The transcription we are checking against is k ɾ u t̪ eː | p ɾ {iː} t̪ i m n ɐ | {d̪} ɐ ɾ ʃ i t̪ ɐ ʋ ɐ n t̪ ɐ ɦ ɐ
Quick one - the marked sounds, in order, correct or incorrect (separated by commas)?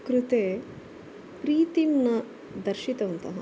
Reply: correct, correct